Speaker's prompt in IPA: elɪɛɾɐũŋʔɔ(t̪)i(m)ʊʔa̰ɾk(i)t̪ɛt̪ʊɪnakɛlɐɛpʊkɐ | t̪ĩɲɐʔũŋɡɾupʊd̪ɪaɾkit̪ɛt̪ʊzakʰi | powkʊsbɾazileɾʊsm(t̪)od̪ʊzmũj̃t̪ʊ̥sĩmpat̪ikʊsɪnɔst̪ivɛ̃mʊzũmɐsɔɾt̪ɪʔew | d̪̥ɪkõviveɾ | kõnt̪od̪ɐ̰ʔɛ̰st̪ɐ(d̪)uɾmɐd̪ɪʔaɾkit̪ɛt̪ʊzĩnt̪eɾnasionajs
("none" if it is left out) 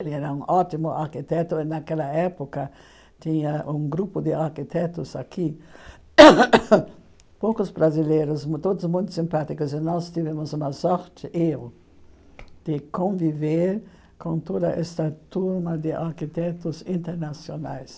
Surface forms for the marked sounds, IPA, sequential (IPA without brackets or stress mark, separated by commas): t̪, m, i, t̪, t̪